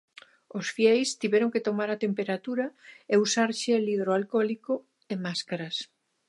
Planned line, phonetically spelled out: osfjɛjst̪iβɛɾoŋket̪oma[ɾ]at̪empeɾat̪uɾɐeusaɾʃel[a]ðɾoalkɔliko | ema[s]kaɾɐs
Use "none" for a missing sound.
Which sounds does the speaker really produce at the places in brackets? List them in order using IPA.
ɾ, i, s

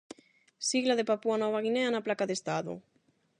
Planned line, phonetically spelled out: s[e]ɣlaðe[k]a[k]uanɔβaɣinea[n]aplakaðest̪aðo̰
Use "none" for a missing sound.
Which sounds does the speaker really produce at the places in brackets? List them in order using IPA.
i, p, p, n

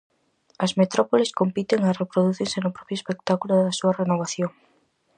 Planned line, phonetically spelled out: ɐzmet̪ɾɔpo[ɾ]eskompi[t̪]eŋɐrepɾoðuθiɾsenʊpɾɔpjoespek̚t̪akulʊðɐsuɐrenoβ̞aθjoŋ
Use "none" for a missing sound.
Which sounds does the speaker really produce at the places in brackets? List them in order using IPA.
l, t̪

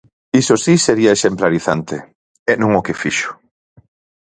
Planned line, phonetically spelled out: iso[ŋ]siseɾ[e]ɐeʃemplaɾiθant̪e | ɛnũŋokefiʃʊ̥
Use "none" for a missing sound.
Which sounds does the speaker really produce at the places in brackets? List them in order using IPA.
none, i

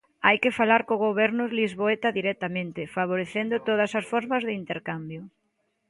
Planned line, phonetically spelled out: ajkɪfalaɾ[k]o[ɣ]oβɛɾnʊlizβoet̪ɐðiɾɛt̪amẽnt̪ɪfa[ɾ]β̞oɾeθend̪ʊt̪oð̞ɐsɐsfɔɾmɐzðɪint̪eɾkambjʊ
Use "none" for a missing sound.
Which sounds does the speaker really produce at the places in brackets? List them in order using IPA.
k, ɣ, none

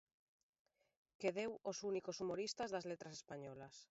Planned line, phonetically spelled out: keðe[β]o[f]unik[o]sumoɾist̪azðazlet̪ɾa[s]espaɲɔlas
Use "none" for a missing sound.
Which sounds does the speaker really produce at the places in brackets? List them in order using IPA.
w, s, o, s

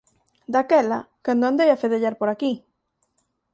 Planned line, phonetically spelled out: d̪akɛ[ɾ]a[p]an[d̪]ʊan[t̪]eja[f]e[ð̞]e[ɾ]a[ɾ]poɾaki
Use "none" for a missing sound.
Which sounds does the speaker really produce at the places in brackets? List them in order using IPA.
l, k, d̪, d̪, f, ð̞, ʎ, ɾ

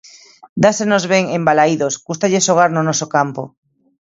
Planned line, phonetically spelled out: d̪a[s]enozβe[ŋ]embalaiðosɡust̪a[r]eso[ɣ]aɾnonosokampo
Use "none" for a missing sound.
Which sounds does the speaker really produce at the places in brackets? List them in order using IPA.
s, ŋ, ʎ, ɣ

